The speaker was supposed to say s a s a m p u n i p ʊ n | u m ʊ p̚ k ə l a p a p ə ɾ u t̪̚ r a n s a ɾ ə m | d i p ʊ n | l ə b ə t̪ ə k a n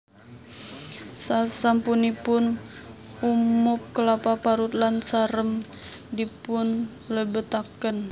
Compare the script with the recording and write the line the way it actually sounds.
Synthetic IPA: s a s a m p u n i p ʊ n | u m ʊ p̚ k ə l a p a p a ɾ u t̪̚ l a n s a ɾ ə m | d i p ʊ n | l ə b ə t̪ a k ə n